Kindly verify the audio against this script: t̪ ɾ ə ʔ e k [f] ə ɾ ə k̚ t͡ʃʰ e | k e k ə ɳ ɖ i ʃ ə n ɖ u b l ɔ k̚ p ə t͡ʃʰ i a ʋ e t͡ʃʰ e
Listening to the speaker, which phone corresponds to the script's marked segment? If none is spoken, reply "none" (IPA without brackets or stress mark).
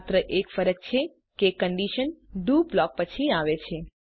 f